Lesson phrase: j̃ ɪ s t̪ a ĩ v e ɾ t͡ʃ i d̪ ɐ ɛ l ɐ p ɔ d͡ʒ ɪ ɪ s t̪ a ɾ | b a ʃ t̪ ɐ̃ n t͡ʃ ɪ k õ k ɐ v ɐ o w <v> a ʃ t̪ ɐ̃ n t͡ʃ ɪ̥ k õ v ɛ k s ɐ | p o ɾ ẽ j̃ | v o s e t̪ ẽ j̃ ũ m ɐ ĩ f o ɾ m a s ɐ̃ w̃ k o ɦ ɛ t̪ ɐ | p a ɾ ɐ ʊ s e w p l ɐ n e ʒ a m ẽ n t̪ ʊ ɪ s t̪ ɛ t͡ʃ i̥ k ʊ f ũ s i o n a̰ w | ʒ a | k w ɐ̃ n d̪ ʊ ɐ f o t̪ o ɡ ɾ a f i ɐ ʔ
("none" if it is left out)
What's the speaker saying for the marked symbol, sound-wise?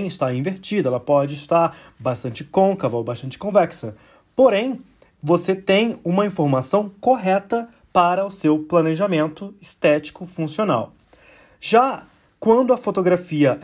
b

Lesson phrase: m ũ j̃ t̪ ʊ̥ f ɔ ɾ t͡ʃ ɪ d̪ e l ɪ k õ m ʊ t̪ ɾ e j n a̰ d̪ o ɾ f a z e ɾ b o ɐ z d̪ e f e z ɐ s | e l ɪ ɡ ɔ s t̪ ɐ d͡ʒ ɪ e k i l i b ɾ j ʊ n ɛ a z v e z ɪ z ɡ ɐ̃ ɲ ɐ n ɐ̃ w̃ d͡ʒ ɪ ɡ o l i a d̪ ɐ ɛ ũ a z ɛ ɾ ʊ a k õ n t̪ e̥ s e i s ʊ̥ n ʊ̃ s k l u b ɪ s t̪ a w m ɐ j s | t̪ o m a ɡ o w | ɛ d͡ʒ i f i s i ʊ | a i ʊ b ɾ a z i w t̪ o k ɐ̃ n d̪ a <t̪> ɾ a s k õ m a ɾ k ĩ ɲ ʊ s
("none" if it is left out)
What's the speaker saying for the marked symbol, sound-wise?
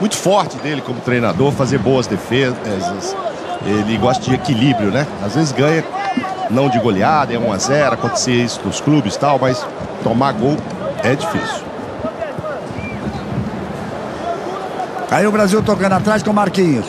t̪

